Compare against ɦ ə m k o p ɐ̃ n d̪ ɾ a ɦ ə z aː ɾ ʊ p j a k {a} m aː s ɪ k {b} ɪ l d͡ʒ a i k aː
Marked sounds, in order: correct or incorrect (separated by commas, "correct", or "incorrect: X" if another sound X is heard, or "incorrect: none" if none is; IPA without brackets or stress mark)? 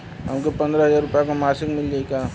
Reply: correct, incorrect: m